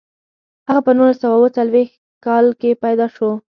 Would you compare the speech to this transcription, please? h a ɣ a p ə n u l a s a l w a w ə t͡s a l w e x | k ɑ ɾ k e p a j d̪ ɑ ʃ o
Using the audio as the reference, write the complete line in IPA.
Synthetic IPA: h a ɣ a p ə n u l a s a w a w ə t͡s a l w e x | k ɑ l k e p a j d̪ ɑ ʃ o